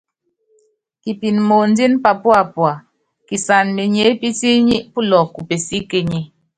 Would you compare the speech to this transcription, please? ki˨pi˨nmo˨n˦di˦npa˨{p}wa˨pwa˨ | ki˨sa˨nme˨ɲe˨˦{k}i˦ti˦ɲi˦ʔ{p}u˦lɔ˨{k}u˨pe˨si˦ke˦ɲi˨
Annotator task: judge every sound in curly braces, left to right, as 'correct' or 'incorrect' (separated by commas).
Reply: correct, incorrect, correct, correct